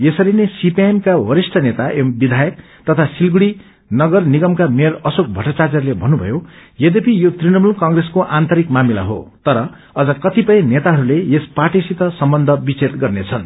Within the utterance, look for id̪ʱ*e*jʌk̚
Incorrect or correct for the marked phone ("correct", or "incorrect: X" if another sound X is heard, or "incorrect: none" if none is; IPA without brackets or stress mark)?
incorrect: a